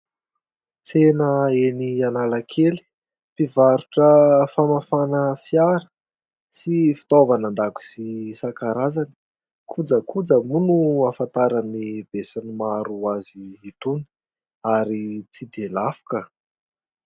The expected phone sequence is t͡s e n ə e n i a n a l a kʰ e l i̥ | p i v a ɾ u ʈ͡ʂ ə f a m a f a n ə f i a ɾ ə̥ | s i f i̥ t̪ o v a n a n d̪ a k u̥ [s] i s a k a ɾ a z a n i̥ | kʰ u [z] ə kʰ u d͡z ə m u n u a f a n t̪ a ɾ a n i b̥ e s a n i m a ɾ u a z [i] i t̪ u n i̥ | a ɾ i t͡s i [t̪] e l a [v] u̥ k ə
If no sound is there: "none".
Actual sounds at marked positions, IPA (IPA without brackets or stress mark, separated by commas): s, d͡z, i, d̪, f